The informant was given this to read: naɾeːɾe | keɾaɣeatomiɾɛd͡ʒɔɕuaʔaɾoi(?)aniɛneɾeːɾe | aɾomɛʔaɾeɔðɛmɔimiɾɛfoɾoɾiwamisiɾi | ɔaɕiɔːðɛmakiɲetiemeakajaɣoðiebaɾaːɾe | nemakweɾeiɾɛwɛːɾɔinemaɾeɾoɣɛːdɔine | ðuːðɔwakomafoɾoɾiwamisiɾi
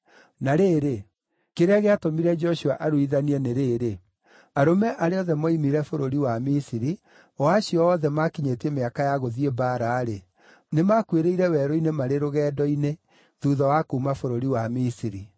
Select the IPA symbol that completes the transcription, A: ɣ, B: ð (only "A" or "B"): B